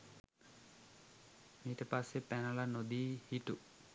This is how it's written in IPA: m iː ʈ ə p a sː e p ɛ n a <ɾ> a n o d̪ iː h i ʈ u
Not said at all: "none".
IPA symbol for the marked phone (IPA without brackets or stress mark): l